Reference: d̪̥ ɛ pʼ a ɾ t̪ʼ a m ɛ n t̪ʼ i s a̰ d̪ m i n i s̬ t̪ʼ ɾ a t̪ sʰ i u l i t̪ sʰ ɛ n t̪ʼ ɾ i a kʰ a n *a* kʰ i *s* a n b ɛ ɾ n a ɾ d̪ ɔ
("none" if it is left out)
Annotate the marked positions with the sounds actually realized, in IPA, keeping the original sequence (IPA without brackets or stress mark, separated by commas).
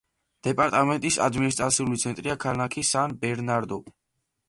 a, s